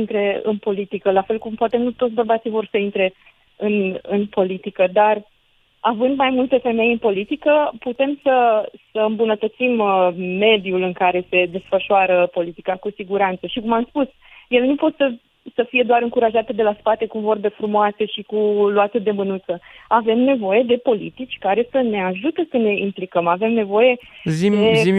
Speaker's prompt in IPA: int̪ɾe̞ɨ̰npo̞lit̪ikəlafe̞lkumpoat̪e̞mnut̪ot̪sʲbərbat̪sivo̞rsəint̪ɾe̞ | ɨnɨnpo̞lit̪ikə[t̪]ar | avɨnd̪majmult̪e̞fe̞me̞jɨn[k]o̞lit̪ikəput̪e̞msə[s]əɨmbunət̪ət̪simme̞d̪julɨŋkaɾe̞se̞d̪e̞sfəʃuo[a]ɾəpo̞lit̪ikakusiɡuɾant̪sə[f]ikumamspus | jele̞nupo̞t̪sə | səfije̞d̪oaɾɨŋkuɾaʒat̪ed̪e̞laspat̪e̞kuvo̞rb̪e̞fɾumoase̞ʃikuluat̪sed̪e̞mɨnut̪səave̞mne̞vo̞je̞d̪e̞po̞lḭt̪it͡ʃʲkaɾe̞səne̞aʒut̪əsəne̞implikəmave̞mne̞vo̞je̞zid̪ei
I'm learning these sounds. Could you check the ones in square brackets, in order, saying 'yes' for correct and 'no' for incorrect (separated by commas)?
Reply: no, no, yes, yes, no